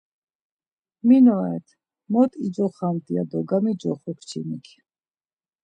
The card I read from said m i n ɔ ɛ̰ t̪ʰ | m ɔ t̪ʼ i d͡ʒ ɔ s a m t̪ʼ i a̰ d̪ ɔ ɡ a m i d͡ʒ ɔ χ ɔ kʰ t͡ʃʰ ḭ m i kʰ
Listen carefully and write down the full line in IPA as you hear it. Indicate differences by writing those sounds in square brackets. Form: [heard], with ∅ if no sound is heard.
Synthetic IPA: m i n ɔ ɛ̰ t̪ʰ | m ɔ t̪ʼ i d͡ʒ ɔ [χ] a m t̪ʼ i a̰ d̪ ɔ ɡ a m i d͡ʒ ɔ χ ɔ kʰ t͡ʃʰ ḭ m i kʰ